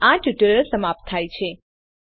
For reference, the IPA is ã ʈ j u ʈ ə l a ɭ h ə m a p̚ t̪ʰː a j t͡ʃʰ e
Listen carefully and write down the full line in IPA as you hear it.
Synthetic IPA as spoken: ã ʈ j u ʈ ə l ə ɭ s ə m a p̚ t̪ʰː a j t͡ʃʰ e